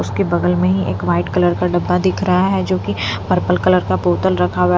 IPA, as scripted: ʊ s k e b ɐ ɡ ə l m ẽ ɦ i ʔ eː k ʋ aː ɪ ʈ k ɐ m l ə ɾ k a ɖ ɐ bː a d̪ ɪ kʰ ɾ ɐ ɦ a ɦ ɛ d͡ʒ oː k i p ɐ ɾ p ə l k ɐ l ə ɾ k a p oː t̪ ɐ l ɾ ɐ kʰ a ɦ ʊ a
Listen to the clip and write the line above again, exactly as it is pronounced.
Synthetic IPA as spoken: ʊ s k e b ɐ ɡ ə l m ẽ ɦ i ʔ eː k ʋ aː ɪ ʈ k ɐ l ə ɾ k a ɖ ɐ bː a d̪ ɪ kʰ ɾ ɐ ɦ a ɦ ɛ d͡ʒ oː k i p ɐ ɾ p ə l k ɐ l ə ɾ k a p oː t̪ ə l ɾ ɐ kʰ a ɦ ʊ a